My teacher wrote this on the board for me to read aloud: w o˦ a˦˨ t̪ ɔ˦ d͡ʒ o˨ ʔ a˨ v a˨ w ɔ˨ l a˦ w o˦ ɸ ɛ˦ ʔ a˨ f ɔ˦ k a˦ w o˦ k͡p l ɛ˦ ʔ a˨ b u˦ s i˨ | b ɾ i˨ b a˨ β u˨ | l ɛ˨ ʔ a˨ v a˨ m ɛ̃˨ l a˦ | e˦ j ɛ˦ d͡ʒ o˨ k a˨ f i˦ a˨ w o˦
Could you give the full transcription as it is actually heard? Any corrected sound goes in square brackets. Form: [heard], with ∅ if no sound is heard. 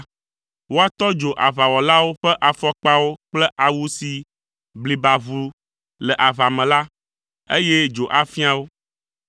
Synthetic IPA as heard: w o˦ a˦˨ t̪ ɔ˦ d͡ʒ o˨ ʔ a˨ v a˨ w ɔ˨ l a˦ w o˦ ɸ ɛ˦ ʔ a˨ f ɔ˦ [k͡p] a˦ w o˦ k͡p l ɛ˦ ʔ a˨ [w] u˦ s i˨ | b [l] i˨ b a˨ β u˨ | l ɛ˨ ʔ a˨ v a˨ m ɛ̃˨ l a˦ | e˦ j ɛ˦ d͡ʒ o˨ [ʔ] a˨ f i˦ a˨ w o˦